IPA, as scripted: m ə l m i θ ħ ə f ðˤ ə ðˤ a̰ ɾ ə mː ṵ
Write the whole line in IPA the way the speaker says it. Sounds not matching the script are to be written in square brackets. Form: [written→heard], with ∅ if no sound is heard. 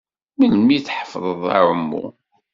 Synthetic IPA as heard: m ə l m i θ ħ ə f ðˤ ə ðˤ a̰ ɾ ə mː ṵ